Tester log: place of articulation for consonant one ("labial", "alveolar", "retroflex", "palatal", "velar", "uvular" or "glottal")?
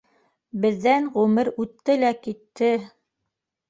labial